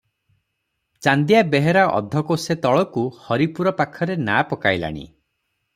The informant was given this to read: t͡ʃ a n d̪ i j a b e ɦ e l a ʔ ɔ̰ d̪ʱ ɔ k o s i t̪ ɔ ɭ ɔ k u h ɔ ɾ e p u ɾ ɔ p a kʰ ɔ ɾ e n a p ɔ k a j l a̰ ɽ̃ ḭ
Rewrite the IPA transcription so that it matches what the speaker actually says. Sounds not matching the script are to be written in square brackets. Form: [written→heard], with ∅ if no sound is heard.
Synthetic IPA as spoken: t͡ʃ a n d̪ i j a b e ɦ e [l→ɾ] a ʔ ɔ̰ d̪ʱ ɔ k o s [i→e] t̪ ɔ ɭ ɔ k u h ɔ ɾ [e→i] p u ɾ ɔ p a kʰ ɔ ɾ e n a p ɔ k a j l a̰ ɽ̃ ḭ